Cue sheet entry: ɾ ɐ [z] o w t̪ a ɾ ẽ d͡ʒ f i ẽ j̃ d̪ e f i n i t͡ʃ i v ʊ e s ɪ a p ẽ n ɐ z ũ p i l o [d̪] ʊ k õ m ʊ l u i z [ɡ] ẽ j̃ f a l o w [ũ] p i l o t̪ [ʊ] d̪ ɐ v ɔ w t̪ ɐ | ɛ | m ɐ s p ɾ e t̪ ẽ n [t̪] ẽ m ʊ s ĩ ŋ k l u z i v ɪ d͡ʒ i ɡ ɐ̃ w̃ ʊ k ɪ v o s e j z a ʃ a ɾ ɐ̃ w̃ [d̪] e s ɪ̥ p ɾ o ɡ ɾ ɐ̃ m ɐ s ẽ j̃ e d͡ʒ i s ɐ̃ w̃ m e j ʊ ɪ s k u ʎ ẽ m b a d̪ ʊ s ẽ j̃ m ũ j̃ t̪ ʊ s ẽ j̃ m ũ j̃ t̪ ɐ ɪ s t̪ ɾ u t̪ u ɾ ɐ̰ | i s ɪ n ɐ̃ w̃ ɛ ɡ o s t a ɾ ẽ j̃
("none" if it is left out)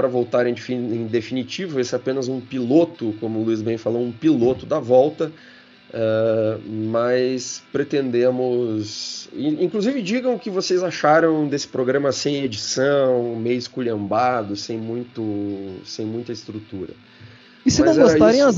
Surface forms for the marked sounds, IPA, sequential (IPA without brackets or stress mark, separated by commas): v, t̪, b, ũ, ʊ, d̪, d̪